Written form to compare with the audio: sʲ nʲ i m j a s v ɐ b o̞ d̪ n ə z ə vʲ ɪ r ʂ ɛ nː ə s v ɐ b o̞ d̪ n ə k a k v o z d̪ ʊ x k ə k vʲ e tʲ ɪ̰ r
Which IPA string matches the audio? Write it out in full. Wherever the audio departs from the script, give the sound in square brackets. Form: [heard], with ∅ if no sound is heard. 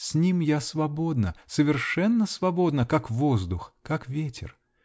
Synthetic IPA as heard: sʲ nʲ i m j a s v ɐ b o̞ d̪ n ə [s] ə vʲ ɪ r ʂ ɛ nː ə s v ɐ b o̞ d̪ n ə k a k v o z d̪ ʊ x k [a] k vʲ e tʲ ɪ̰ r